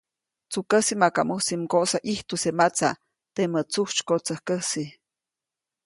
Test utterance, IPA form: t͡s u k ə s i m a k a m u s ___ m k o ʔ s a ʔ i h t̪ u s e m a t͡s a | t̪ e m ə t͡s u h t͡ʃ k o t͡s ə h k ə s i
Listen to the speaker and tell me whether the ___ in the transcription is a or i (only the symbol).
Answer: i